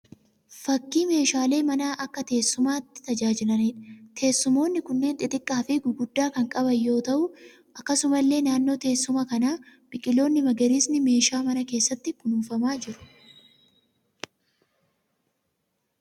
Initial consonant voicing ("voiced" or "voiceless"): voiceless